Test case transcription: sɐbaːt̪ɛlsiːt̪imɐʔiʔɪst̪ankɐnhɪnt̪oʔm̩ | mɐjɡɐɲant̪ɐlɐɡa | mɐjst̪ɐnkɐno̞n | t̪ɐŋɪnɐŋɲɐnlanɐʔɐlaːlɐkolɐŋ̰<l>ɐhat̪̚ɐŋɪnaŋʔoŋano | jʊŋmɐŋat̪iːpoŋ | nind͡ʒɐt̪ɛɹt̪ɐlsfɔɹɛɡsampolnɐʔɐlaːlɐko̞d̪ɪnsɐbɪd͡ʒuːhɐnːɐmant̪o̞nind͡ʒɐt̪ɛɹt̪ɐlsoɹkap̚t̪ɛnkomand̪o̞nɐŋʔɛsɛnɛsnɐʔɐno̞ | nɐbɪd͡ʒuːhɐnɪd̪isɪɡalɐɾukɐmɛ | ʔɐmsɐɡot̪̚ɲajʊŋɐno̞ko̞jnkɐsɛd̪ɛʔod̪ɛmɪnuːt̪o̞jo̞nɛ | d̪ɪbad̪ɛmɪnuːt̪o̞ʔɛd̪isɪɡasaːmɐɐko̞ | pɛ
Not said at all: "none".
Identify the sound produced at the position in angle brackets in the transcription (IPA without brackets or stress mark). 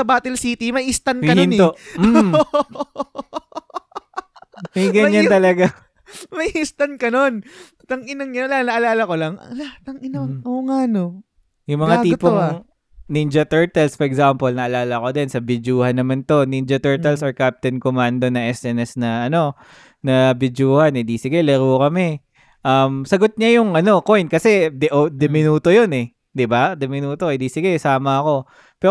l